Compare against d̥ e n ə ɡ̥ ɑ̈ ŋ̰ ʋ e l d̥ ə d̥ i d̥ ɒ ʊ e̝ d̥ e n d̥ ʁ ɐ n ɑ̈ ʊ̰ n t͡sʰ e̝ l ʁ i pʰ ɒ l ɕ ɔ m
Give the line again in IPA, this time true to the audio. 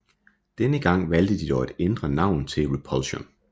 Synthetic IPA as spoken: d̥ e n ə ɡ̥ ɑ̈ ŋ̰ ʋ æ l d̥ ə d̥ i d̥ ɒ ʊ e̝ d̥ e n d̥ ʁ ɐ n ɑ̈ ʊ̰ n t͡sʰ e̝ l ʁ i pʰ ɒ l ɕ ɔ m